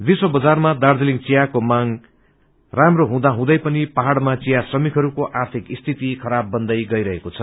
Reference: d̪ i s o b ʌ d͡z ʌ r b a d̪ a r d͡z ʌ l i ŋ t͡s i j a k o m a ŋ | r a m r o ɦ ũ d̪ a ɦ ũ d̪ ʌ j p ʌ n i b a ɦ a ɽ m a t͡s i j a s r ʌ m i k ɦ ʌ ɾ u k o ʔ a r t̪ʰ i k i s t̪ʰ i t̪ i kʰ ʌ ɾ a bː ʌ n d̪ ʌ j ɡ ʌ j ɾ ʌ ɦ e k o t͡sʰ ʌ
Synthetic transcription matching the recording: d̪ i s o b ʌ d͡z a r m a d̪ a r d͡z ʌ l i ŋ t͡s i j a k o m a ŋ | r a m r o ɦ ũ d̪ a ɦ ũ d̪ ʌ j p ʌ n i p a ɦ a ɽ m a t͡s i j a s r ʌ m i k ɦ ʌ ɾ u k o ʔ a r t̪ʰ i k i s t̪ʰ i t̪ i kʰ ʌ ɾ a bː ʌ n d̪ ʌ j ɡ ʌ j ɾ ʌ ɦ e k o t͡sʰ ʌ